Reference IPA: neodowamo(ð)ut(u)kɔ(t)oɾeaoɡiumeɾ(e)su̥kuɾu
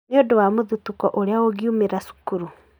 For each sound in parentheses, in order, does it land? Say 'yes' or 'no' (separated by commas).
yes, yes, no, no